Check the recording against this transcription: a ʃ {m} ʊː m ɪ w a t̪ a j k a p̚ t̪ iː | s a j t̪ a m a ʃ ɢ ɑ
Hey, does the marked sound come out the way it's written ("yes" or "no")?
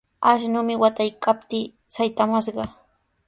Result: no